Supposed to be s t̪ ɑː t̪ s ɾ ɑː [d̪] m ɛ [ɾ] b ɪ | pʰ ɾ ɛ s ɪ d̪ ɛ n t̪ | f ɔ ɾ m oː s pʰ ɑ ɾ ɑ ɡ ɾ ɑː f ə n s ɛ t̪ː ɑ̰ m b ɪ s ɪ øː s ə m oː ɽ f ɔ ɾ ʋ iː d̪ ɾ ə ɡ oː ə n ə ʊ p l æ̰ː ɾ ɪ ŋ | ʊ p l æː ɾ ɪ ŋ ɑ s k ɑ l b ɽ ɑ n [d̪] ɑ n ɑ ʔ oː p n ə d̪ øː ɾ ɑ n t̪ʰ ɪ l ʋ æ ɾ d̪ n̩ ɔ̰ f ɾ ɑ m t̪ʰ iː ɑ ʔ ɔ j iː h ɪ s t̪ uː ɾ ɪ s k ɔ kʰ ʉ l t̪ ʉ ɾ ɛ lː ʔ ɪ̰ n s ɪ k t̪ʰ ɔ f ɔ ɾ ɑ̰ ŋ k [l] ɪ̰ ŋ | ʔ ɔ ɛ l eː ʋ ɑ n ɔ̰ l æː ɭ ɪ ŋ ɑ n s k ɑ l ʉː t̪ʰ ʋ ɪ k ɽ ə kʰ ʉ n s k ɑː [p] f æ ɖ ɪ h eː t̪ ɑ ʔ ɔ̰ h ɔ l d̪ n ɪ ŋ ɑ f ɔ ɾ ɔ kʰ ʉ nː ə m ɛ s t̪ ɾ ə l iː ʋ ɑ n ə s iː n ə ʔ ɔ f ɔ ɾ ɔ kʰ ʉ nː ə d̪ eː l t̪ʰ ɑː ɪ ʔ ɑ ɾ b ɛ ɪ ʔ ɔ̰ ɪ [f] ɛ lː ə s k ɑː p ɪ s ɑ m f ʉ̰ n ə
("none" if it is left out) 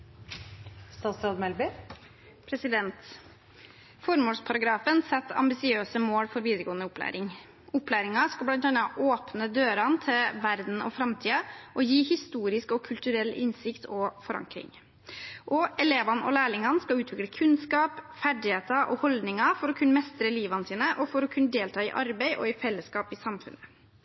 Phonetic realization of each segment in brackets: d̪, l, t̪, ɾ, p, f

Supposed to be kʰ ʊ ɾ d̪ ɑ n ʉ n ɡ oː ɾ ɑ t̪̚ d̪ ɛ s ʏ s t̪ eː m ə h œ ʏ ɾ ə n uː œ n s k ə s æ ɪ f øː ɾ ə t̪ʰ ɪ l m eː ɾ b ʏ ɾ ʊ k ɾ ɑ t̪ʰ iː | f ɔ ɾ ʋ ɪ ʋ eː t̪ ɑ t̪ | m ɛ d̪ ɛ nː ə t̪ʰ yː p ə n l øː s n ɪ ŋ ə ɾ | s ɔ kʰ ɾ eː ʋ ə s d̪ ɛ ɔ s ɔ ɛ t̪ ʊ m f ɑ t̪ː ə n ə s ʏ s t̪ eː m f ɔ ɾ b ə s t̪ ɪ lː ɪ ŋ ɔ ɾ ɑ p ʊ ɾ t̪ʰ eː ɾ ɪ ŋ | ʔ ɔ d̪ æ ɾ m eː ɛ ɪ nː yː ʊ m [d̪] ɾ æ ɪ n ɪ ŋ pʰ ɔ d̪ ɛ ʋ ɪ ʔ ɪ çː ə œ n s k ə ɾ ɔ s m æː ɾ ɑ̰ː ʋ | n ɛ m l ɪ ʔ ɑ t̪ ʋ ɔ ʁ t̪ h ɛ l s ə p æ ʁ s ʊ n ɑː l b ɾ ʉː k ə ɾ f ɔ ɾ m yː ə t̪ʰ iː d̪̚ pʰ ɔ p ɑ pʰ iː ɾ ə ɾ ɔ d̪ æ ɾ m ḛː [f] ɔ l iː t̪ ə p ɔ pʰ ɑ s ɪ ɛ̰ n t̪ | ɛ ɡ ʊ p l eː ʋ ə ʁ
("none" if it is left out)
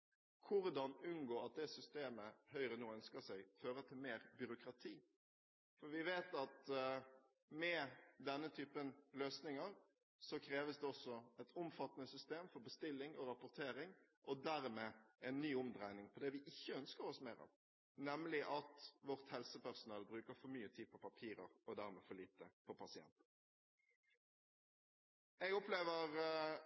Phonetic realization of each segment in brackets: d̪, f

